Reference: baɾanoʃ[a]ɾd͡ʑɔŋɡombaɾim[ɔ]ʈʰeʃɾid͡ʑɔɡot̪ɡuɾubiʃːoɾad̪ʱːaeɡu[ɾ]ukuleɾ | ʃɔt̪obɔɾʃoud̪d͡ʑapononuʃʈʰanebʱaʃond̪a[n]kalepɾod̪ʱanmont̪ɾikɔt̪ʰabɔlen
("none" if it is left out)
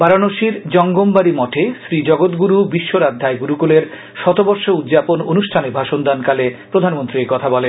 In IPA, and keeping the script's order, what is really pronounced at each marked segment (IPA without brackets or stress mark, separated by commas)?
i, ɔ, ɾ, n